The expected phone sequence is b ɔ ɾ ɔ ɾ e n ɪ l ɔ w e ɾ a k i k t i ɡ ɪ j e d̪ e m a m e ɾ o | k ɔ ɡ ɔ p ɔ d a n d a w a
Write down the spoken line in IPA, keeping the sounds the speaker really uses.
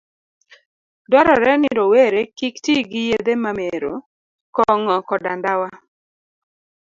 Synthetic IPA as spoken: d ɔ ɾ ɔ ɾ ɛ n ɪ ɾ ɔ w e ɾ e k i k t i ɡ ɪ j e d̪ e m a m e ɾ o | k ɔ ŋ ɔ k ɔ d a n d a w a

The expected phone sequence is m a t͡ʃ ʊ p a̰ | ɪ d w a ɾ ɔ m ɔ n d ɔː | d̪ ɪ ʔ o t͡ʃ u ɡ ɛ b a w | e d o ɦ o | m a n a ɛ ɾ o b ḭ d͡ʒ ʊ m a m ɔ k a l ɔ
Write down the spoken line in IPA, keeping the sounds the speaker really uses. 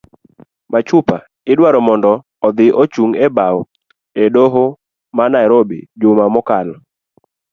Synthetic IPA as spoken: m a t͡ʃ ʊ p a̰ | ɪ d w a ɾ ɔ m ɔ n d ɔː | d̪ ɪ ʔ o t͡ʃ u ŋ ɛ b a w | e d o ɦ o | m a n a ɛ ɾ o b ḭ d͡ʒ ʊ m a m ɔ k a l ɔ

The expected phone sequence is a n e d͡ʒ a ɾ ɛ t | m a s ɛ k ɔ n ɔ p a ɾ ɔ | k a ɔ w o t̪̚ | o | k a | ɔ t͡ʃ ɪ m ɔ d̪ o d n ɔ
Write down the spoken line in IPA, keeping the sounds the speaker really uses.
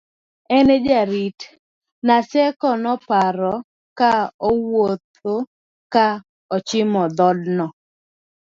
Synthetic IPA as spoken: ɛ n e d͡ʒ a ɾ i t | n a s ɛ k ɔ n ɔ p a ɾ ɔ | k a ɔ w o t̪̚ | o | k a | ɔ t͡ʃ ɪ m ɔ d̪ ɔ d n ɔ

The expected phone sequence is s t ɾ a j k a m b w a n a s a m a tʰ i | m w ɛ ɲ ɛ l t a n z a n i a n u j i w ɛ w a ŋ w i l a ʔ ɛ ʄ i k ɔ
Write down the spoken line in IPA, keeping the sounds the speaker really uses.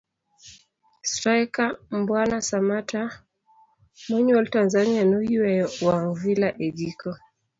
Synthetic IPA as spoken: s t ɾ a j k a m b w a n a s a m a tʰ a | m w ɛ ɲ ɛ l t a n z a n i a n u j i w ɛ w a ŋ v i l a ʔ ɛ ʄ i k ɔ

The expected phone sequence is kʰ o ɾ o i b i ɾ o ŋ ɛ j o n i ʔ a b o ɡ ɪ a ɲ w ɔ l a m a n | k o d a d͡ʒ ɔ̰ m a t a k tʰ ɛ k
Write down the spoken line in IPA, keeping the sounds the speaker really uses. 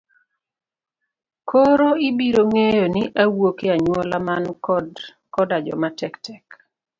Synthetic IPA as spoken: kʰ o ɾ o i b i ɾ o ŋ e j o n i ʔ a w o k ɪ a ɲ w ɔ l a m a n | k ɔ d a d͡ʒ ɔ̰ m a t ɛ k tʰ ɛ k

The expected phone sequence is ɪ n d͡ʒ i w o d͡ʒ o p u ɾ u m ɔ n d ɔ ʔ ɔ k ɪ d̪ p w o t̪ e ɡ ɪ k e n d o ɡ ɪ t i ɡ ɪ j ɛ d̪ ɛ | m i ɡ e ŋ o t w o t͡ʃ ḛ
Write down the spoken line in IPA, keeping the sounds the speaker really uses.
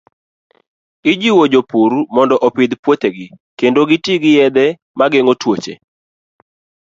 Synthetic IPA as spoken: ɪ d͡ʒ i w o d͡ʒ o p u ɾ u m ɔ n d ɔ ʔ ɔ p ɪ d̪ p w o t̪ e ɡ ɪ k e n d o ɡ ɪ t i ɡ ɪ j ɛ d̪ ɛ | m a ɡ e ŋ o t w o t͡ʃ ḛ

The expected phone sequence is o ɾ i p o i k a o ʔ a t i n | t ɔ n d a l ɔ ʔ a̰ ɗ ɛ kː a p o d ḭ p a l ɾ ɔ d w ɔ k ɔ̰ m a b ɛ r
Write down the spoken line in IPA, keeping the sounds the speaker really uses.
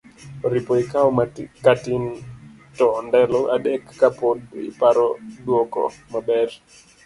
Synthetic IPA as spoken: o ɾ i p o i k a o k a t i n | t ɔ n d ɛ l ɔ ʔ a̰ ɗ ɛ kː a p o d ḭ p a ɾ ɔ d w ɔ k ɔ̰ m a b ɛ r

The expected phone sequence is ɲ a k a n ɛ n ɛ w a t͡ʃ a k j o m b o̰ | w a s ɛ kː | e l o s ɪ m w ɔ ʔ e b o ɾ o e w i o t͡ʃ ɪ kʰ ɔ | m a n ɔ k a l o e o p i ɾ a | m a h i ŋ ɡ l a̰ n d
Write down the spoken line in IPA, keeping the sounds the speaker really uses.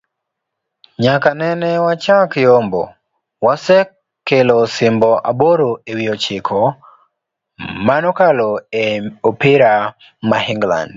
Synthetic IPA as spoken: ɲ a k a n ɛ n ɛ w a t͡ʃ a k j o m b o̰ | w a s ɛ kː | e l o s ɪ m b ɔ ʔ a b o ɾ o e w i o t͡ʃ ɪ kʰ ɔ | m a n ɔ k a l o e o p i ɾ a | m a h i ŋ ɡ l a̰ n d

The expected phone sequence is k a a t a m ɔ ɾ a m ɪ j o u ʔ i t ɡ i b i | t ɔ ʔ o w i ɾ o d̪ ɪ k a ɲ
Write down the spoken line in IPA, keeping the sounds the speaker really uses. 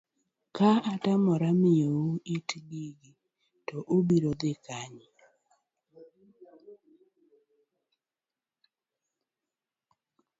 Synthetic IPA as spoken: k a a t a m ɔ ɾ a m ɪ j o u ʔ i t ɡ i ɡ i | t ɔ ʔ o b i ɾ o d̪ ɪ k a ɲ

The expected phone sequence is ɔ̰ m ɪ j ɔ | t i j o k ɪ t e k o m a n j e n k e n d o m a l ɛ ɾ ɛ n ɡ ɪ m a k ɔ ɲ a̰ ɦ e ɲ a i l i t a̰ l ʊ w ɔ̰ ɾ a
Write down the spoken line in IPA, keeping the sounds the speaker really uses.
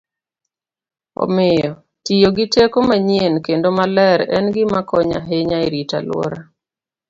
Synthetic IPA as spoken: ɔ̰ m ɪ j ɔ | t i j o ɡ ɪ t e k o m a ɲ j e n k e n d o m a l ɛ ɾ ɛ n ɡ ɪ m a k ɔ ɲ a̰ ɦ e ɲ a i ɾ i t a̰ l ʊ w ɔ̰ ɾ a

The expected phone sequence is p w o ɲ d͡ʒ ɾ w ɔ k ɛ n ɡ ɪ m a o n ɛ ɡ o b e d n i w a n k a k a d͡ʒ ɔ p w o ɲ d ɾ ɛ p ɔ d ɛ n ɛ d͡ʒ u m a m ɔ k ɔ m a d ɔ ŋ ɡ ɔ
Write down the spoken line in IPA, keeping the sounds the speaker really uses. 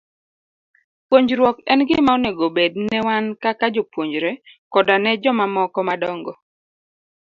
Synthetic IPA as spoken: p w o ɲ d͡ʒ ɾ w ɔ k ɛ n ɡ ɪ m a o n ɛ ɡ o b e d n ɛ w a n k a k a d͡ʒ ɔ p w o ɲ d͡ʒ ɾ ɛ k ɔ d a n ɛ d͡ʒ ɔ m a m ɔ k ɔ m a d ɔ ŋ ɡ ɔ

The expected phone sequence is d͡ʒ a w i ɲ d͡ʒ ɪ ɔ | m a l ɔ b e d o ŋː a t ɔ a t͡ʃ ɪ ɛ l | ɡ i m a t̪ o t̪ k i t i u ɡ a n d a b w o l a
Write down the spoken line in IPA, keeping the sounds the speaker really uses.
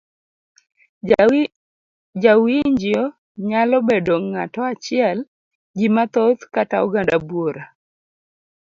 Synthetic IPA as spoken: d͡ʒ a w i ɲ d͡ʒ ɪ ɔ | ɲ a l ɔ b e d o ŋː a t ɔ a t͡ʃ ɪ ɛ l | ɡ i m a t̪ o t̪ k a t a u ɡ a n d a b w o ɾ a

